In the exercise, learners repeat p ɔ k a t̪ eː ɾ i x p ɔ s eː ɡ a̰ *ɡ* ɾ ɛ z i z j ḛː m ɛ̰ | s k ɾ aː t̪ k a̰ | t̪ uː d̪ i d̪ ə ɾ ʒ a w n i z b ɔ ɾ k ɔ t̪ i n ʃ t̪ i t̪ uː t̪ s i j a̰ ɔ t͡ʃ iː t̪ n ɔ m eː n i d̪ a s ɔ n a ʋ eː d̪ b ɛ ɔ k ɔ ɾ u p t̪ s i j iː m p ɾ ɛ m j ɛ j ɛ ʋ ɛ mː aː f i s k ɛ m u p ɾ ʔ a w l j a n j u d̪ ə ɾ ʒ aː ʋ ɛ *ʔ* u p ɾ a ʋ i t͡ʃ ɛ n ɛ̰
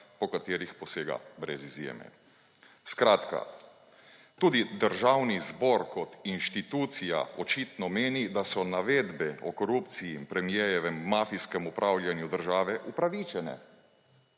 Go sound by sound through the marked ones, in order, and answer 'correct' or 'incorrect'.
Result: incorrect: b, correct

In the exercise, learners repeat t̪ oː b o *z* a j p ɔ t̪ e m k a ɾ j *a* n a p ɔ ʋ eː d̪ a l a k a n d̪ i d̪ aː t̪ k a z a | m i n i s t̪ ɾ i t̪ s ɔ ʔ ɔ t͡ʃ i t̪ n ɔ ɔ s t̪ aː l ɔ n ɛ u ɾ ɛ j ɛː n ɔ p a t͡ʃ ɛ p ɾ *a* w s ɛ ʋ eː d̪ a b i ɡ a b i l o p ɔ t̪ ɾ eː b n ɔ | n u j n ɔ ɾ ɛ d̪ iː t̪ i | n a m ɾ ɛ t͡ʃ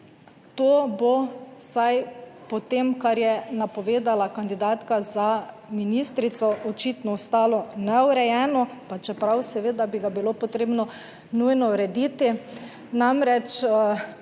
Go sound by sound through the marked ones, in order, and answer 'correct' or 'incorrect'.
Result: incorrect: s, incorrect: ɛ, correct

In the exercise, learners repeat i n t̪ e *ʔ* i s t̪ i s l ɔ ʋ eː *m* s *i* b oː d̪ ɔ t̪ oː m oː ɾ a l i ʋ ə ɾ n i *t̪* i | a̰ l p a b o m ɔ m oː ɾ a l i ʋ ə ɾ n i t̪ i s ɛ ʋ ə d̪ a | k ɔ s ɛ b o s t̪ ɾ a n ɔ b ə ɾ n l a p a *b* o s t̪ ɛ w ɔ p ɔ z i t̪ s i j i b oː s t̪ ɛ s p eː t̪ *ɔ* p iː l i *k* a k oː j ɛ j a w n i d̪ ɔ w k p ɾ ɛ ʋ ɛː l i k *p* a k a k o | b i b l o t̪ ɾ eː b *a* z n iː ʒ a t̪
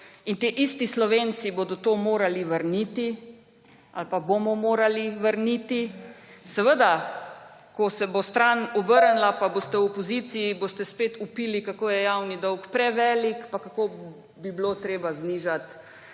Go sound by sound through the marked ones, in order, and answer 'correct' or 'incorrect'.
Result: correct, incorrect: n, correct, correct, correct, incorrect: u, correct, correct, correct

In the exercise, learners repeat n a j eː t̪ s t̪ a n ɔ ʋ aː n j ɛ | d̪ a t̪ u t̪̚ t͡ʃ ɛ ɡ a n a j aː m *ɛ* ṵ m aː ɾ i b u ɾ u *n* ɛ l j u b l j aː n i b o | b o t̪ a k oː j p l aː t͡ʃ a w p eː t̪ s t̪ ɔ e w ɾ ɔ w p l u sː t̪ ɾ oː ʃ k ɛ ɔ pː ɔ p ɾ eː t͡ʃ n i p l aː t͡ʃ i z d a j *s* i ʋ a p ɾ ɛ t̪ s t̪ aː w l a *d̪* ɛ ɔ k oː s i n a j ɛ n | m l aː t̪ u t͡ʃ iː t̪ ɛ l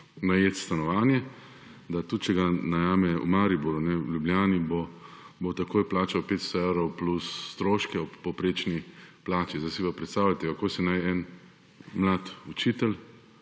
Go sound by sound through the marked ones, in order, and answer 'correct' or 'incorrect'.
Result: correct, correct, correct, incorrect: t̪

